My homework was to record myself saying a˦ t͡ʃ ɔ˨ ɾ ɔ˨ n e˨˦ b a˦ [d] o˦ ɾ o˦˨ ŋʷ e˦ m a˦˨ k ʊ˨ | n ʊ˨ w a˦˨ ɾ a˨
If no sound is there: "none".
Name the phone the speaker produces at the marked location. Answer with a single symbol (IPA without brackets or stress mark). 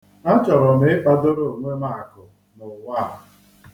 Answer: d